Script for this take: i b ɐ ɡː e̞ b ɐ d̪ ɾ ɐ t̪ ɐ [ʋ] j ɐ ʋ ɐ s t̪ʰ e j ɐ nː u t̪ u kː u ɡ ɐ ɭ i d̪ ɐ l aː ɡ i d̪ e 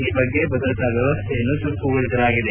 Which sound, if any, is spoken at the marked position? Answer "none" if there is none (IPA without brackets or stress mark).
ʋ